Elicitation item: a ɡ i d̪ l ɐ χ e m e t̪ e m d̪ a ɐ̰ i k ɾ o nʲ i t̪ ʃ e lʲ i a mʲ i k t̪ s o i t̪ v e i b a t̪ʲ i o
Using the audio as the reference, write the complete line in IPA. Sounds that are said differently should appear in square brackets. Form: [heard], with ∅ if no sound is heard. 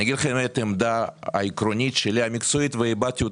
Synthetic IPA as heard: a ɡ i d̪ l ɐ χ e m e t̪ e m d̪ a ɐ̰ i k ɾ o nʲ i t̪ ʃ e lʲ i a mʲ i k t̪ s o i t̪ v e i b a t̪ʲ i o